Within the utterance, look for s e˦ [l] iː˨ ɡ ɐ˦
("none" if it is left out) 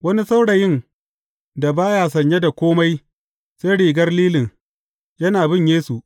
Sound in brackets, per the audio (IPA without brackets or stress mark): ɽ